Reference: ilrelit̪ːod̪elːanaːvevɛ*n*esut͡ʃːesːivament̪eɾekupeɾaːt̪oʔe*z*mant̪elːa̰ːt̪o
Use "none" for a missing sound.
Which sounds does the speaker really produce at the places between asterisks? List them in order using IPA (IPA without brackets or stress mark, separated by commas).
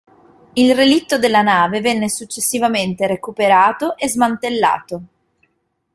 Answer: nː, z